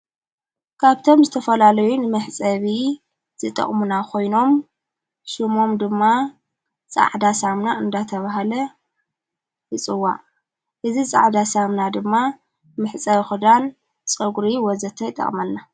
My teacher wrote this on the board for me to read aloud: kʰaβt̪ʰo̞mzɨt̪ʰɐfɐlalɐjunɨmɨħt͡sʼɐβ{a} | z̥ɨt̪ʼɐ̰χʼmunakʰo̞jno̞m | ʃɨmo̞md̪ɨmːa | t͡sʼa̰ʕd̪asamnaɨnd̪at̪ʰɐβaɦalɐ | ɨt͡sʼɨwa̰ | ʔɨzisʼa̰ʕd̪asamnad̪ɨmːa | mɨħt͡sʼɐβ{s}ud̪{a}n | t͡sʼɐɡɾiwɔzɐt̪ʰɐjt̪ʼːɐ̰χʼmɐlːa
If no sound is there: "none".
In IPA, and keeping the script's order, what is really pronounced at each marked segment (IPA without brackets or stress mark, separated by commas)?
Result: i, x, a